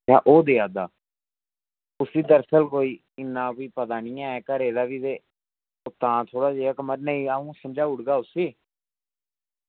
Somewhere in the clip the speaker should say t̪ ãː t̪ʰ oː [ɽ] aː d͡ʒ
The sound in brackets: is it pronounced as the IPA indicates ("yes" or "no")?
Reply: yes